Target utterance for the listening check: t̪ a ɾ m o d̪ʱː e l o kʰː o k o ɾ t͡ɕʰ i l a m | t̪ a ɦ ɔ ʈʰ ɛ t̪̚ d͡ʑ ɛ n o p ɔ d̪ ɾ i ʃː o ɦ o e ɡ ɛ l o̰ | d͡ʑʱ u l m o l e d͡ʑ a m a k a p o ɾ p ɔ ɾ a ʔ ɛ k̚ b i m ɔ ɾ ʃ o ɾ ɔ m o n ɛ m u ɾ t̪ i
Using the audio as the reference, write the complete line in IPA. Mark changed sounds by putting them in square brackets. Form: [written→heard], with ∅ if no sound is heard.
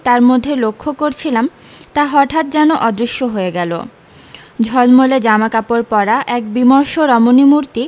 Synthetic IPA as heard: t̪ a ɾ m o d̪ʱː e l o kʰː o k o ɾ t͡ɕʰ i l a m | t̪ a ɦ ɔ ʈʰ [ɛ→a] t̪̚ d͡ʑ ɛ n o [p→ʔ] ɔ d̪ ɾ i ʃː o ɦ o e ɡ ɛ l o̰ | d͡ʑʱ [u→ɔ] l m o l e d͡ʑ a m a k a p o ɾ p ɔ ɾ a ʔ ɛ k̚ b i m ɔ ɾ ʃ o ɾ ɔ m o n [ɛ→i] m u ɾ t̪ i